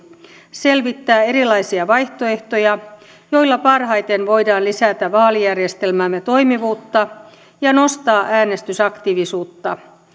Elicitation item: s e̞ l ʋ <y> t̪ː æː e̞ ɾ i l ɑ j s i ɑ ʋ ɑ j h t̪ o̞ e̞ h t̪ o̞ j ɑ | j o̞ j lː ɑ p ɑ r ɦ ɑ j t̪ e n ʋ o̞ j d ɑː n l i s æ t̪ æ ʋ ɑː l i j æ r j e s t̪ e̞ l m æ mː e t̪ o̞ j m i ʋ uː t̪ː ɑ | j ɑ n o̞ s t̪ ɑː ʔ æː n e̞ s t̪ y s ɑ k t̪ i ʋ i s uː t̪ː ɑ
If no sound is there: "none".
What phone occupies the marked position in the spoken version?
i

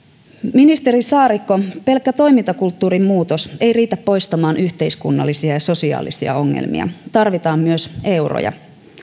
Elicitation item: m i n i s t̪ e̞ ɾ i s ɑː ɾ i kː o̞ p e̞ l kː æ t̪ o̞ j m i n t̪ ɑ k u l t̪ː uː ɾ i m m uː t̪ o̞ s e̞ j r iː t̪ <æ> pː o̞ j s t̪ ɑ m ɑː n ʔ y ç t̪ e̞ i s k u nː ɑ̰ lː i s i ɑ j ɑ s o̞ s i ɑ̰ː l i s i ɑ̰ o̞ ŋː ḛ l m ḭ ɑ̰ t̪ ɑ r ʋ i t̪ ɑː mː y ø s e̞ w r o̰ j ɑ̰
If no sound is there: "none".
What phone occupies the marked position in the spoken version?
æ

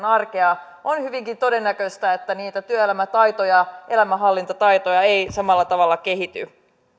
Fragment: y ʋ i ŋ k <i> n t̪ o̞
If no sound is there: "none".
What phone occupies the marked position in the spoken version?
i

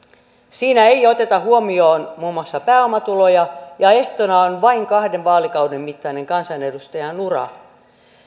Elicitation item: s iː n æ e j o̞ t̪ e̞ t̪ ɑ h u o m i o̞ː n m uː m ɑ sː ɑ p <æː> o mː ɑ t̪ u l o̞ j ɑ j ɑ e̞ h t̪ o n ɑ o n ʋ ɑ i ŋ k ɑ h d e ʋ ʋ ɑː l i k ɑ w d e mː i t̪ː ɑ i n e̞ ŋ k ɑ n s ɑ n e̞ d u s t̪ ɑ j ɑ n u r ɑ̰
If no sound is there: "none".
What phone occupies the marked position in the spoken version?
æː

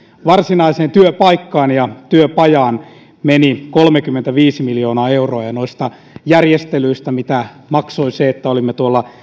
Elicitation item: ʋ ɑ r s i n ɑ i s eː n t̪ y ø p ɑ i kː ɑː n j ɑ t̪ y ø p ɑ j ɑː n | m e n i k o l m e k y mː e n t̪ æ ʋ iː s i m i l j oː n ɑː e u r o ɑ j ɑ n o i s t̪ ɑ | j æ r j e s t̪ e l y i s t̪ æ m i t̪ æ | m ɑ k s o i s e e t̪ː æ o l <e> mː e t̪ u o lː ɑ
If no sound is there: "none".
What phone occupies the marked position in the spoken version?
i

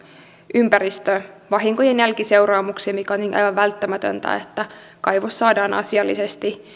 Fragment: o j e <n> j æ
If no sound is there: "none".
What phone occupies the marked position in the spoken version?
n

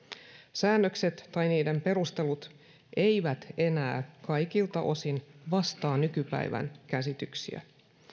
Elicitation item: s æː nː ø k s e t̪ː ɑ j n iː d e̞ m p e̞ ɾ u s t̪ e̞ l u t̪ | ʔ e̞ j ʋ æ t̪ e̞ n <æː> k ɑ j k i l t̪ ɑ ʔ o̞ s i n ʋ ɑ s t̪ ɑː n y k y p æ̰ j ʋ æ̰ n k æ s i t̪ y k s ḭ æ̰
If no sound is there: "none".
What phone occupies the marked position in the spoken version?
æː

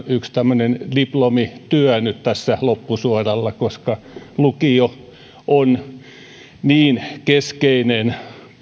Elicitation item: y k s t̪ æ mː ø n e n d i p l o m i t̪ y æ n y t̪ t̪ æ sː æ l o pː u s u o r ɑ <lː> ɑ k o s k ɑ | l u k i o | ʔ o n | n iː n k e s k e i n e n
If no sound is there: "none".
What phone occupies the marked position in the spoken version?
lː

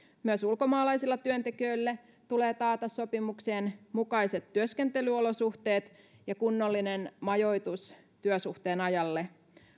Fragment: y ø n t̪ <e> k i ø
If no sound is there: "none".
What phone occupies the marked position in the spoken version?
e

